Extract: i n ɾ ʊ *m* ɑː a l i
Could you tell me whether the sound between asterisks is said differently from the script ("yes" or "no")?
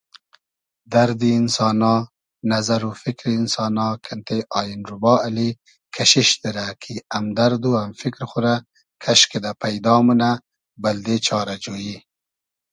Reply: yes